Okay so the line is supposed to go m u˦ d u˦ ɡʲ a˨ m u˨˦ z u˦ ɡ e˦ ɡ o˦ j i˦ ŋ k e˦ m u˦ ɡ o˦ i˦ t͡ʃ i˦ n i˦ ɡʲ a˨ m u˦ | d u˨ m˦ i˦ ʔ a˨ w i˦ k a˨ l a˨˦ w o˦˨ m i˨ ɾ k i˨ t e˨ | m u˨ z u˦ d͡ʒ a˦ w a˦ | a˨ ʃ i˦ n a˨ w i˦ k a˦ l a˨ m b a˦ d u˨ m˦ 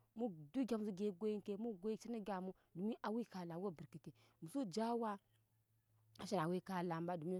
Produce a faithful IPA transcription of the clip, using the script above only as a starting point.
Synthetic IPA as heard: m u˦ d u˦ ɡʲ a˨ m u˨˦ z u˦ ɡ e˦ ɡ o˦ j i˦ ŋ k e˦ m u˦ ɡ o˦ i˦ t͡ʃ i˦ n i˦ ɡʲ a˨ m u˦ | d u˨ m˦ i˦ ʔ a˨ w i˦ k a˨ l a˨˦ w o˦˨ b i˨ ɾ k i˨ t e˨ | m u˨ s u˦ d͡ʒ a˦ w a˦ | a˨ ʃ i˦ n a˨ w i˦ k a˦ l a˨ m b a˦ d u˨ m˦